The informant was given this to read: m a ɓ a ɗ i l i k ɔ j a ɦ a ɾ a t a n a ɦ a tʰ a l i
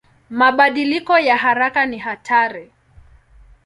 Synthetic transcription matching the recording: m a ɓ a ɗ i l i k ɔ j a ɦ a ɾ a k a n i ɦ a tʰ a ɾ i